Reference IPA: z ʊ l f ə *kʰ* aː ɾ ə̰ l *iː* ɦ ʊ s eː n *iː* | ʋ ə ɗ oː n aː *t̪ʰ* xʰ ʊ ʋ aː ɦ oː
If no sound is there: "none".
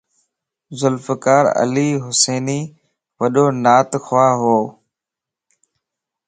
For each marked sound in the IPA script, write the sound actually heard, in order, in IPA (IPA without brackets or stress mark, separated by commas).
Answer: k, iː, iː, t̪